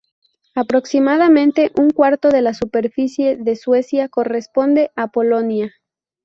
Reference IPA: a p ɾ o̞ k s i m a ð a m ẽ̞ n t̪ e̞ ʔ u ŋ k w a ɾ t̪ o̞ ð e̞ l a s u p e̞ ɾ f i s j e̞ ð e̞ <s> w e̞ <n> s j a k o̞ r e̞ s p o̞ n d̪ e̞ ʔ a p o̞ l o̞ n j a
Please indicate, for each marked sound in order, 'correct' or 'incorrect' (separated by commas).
correct, incorrect